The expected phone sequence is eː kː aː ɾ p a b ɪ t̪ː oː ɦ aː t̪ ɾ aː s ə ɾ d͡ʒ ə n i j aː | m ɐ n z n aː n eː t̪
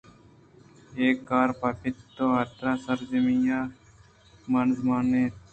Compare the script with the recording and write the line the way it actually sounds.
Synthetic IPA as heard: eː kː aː ɾ p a p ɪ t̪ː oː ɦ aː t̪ ɾ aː s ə ɾ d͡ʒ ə m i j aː | m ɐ n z m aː n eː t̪